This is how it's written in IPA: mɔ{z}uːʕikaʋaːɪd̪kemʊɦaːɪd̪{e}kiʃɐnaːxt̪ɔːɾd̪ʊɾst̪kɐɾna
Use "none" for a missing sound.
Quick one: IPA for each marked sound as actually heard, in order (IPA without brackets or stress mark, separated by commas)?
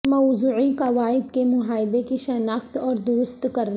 z, e